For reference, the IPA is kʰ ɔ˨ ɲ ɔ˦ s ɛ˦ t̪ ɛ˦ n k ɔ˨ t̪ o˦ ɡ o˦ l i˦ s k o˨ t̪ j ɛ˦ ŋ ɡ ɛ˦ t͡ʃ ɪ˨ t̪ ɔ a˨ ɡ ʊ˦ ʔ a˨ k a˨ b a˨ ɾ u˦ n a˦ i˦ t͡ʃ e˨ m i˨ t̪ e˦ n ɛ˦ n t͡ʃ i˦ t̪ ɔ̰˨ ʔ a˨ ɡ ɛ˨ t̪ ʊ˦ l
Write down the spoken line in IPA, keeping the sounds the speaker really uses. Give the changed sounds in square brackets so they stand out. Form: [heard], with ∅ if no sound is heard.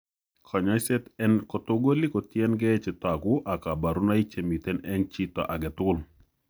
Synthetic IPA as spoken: kʰ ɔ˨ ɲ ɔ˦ s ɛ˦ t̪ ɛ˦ n k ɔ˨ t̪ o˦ ɡ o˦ l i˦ [∅] k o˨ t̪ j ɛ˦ [n] ɡ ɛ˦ t͡ʃ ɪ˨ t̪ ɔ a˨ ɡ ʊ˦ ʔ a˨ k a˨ b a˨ ɾ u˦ n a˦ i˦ t͡ʃ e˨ m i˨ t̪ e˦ n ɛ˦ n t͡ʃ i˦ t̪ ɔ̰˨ ʔ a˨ ɡ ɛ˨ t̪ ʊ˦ l